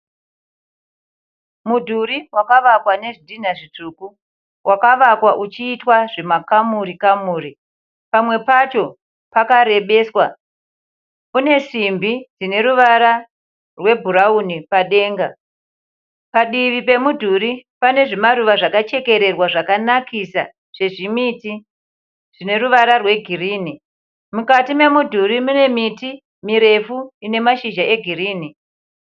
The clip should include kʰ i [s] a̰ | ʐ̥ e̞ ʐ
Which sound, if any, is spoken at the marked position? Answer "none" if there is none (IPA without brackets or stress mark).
s